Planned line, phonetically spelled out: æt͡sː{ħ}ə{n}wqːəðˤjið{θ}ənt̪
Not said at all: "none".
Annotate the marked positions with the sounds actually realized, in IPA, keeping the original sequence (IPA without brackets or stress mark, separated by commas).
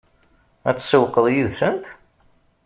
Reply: s, none, s